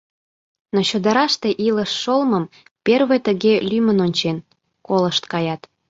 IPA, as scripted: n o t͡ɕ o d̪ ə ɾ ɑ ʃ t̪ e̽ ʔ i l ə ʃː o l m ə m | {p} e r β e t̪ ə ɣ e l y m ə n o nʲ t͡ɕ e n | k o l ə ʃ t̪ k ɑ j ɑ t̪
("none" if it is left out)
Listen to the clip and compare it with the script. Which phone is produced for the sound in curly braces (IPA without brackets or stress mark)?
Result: p